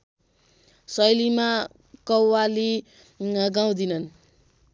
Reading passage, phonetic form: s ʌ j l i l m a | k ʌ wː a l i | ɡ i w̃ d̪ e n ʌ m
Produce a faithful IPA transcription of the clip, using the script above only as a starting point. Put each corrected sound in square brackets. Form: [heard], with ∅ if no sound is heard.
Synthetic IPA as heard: s ʌ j l i [∅] m a | k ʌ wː a l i | ɡ [a] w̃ d̪ [i] n ʌ [n]